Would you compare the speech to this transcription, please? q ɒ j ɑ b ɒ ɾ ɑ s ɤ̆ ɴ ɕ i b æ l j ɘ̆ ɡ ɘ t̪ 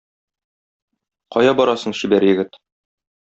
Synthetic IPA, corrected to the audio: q ɒ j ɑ b ɒ ɾ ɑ s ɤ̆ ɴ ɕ i b æ ɾ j ɘ̆ ɡ ɘ t̪